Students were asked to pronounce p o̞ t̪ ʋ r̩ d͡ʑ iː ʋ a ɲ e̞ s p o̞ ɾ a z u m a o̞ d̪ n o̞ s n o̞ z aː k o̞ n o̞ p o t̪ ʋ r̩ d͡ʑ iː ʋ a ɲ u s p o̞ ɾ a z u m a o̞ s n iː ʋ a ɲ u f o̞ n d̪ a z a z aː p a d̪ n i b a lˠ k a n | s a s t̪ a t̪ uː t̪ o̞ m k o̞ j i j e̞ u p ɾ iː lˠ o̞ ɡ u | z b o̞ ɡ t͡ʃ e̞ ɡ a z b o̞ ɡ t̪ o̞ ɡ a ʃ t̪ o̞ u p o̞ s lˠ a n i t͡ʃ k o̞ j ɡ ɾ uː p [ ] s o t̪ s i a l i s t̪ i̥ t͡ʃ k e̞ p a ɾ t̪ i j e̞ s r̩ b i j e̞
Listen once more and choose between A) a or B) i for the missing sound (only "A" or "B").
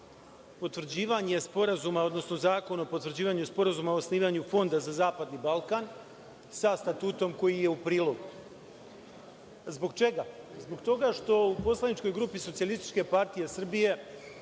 B